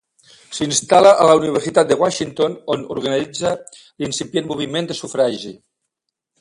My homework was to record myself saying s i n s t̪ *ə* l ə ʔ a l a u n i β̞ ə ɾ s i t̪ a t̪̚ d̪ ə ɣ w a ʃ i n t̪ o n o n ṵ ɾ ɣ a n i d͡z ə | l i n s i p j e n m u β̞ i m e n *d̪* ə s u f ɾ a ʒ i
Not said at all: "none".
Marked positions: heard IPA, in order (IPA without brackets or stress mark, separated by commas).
a, d̪